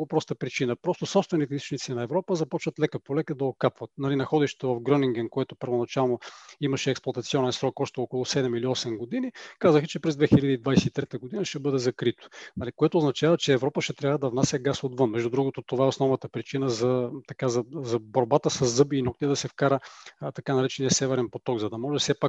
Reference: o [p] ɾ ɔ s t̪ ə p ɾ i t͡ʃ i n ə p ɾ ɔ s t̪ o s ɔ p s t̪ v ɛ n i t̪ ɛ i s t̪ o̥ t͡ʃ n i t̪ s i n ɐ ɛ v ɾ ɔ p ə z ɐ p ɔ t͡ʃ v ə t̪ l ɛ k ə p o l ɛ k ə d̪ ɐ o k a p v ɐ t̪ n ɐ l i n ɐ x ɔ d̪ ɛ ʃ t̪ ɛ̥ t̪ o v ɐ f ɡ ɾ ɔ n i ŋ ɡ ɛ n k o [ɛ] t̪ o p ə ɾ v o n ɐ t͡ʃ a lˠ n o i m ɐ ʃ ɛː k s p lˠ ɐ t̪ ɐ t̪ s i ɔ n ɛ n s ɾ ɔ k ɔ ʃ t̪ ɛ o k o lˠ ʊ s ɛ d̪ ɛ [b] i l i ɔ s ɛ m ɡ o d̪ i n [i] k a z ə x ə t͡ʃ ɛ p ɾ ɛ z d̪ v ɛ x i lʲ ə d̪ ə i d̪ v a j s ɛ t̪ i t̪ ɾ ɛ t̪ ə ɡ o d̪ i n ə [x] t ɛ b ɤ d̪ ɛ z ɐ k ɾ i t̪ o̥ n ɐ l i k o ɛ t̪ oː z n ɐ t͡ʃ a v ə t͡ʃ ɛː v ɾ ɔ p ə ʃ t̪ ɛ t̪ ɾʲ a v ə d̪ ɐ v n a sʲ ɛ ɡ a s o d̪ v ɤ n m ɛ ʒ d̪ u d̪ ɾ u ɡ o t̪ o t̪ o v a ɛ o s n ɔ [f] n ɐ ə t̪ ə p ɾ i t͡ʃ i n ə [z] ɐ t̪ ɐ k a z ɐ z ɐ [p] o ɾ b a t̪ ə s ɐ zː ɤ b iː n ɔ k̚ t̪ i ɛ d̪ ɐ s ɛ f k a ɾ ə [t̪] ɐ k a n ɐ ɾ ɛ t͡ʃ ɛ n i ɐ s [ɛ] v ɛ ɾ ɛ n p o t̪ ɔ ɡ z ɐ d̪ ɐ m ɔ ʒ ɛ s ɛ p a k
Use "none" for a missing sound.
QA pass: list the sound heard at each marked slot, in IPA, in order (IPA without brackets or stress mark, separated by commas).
p, ɛ, m, i, ʃ, v, z, b, t̪, ɛ